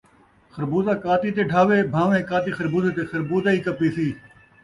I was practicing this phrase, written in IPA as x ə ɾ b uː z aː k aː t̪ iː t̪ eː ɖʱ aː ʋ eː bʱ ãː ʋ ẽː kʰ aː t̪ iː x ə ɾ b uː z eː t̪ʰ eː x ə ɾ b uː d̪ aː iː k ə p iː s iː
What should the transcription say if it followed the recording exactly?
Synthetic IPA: x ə ɾ b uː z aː k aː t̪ iː t̪ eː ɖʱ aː ʋ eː bʱ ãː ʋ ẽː k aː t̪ iː x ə ɾ b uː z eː t̪ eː x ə ɾ b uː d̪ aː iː k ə p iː s iː